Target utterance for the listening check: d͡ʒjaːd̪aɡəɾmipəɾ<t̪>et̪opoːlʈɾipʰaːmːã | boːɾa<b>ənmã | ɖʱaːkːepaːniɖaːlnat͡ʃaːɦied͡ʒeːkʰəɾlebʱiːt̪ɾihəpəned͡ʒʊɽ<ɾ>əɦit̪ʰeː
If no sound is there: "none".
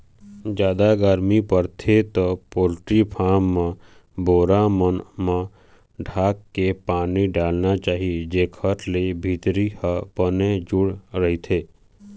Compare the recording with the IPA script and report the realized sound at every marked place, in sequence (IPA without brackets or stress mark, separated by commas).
t̪ʰ, m, ɾ